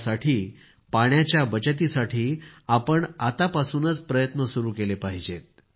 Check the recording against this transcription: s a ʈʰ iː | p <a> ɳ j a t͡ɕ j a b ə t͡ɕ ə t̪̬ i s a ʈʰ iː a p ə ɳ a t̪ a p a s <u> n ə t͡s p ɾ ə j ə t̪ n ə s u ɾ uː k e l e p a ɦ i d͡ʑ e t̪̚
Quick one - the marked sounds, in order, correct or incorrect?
correct, incorrect: uː

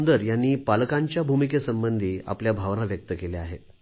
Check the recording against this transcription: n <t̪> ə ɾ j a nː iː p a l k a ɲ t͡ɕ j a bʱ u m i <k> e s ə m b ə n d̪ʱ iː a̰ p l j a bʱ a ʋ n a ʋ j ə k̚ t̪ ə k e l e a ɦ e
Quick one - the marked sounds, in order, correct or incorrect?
incorrect: d̪, correct

